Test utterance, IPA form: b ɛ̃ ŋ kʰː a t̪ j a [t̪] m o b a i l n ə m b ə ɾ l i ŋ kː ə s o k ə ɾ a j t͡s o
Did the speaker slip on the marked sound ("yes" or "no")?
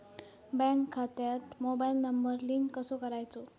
no